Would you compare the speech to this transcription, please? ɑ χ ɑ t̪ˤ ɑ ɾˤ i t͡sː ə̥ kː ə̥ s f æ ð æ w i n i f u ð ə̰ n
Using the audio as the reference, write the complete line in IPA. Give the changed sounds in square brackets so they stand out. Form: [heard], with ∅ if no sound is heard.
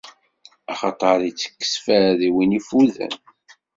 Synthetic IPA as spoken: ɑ χ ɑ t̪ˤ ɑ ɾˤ i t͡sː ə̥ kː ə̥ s f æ ð [i] w i n i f u ð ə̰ n